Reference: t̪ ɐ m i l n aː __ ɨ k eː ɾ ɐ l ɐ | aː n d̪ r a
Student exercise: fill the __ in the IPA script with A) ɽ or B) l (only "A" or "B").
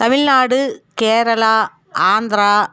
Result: A